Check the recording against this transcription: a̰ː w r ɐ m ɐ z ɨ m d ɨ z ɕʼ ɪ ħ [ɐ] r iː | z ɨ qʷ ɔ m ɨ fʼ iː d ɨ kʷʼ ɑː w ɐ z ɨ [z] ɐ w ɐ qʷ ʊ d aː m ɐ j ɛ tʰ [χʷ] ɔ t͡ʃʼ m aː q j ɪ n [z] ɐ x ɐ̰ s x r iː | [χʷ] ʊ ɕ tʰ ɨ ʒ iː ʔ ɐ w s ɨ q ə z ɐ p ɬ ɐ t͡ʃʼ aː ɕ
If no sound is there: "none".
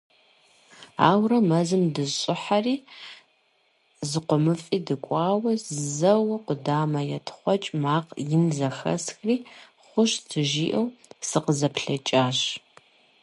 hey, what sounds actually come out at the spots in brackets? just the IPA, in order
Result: a, z, χʷ, z, χʷ

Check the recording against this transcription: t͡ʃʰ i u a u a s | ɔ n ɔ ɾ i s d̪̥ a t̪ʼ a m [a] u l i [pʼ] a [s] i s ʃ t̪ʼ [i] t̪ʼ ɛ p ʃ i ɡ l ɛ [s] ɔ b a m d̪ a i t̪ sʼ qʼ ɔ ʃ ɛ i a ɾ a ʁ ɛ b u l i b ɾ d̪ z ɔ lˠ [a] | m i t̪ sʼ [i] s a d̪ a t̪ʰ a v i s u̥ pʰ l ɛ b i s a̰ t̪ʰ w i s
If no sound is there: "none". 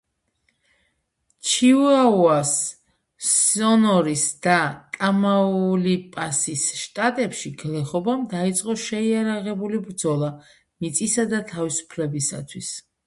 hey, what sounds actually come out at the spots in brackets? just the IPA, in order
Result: a, pʼ, s, a, χ, a, i

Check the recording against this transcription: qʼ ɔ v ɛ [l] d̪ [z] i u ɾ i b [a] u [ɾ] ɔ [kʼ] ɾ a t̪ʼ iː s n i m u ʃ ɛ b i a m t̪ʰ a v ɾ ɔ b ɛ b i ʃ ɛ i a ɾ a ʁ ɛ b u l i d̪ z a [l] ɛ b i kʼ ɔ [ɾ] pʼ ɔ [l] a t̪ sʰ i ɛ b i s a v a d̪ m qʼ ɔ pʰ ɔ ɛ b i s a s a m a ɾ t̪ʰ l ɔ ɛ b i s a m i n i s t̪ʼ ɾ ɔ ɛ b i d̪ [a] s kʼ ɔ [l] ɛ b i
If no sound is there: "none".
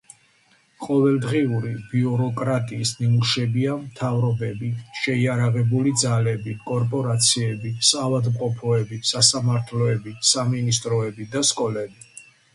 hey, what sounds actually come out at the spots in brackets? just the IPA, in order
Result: l, ʁ, i, ɾ, kʼ, l, ɾ, ɾ, a, l

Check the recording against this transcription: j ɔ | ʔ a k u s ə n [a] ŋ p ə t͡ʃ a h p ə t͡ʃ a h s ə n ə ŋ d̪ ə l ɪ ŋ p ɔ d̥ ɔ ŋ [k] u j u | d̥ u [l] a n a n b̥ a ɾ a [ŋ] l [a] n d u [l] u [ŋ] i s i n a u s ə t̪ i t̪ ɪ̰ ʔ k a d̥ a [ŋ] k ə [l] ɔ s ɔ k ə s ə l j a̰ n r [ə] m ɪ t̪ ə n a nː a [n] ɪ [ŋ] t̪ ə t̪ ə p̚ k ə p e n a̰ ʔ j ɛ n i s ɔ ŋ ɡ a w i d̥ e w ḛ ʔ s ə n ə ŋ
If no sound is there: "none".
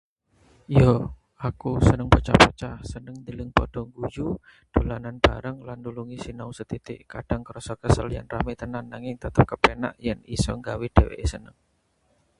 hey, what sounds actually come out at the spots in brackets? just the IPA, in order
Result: ə, ɡ, l, ŋ, a, l, ŋ, ŋ, ɾ, a, ŋ, ŋ

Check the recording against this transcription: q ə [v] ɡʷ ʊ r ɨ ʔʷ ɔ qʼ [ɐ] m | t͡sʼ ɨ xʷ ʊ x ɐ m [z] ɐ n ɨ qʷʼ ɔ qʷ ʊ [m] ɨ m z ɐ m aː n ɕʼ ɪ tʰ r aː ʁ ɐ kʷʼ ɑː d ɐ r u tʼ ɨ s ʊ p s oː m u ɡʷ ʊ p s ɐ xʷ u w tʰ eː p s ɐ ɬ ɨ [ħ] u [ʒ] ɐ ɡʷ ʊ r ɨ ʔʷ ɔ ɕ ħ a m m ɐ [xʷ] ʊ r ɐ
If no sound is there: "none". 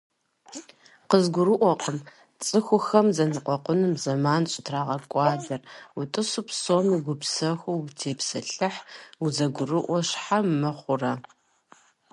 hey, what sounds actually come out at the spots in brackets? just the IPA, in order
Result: z, ə, z, n, ħ, z, χʷ

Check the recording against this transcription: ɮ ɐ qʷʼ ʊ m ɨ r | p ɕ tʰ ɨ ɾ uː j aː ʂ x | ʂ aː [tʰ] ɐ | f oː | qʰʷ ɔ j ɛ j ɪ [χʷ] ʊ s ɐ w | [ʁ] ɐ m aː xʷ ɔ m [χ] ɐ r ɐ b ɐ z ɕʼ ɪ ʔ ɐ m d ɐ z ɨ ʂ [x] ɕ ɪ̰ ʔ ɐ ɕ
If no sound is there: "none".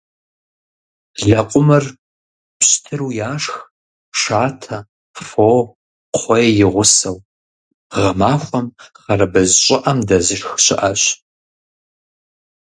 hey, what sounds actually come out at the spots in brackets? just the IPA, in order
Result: tʰ, ʁʷ, ʁ, χ, x

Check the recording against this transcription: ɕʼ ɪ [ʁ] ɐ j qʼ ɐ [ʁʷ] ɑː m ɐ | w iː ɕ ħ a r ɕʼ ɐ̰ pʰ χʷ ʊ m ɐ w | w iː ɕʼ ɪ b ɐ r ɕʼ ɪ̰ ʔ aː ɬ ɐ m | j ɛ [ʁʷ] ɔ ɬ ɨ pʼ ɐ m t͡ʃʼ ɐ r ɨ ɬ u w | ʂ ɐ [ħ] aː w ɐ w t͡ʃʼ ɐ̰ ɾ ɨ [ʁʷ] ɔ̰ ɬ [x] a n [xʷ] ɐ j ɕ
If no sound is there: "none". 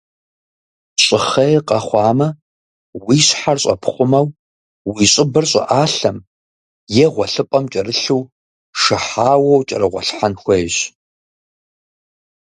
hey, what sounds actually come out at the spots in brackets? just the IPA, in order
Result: χ, χʷ, ʁʷ, ħ, ʁʷ, ħ, xʷ

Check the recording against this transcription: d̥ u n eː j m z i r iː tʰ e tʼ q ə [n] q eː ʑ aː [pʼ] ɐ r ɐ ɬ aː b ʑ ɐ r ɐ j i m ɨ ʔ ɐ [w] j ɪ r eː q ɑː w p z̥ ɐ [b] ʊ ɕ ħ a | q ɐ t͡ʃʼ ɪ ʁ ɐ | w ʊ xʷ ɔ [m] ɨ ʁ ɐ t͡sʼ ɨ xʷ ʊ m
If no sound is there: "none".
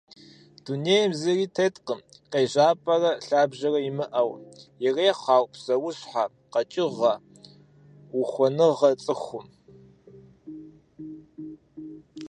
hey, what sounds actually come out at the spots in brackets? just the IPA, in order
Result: m, pʼ, w, w, n

